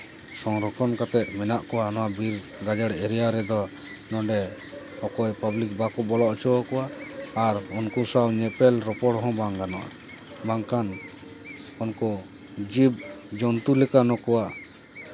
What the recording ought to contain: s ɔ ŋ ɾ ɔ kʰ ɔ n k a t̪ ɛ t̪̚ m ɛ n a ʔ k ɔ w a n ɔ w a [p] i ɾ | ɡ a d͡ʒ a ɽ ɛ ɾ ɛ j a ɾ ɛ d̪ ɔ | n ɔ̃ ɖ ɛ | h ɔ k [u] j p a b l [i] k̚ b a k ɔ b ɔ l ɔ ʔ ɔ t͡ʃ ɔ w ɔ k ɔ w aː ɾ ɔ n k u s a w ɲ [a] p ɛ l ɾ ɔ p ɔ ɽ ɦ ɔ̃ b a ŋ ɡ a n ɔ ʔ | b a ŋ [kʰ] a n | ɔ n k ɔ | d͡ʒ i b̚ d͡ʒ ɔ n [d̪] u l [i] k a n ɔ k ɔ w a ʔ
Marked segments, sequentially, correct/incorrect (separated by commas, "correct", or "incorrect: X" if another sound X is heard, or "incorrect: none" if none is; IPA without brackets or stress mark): incorrect: b, incorrect: ɔ, correct, incorrect: ɛ, incorrect: k, incorrect: t̪, incorrect: ɛ